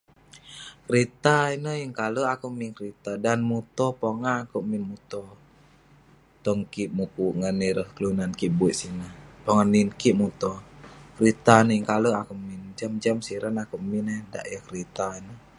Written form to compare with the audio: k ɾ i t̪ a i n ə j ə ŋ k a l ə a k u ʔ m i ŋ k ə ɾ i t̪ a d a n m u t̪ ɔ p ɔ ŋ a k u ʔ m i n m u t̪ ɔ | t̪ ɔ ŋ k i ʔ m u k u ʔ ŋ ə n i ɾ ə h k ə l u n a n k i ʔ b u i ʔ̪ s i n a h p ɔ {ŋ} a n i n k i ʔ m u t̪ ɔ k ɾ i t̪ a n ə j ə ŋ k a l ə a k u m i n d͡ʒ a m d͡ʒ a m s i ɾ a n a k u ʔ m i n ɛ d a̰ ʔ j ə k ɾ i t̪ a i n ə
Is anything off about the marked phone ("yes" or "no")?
no